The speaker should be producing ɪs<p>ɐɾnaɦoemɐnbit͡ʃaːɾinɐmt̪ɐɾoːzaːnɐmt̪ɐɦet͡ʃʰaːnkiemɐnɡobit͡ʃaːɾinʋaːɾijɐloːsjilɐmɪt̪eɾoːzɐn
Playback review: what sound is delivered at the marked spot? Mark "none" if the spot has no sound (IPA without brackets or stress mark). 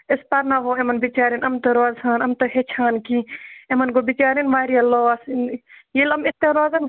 p